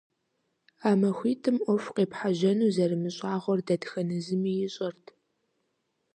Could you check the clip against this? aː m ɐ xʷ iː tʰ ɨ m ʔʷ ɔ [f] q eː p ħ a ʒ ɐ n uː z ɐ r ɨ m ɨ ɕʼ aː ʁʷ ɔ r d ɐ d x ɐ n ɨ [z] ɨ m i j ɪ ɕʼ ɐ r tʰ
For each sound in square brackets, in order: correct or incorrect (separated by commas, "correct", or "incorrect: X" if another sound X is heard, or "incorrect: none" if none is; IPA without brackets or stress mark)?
correct, correct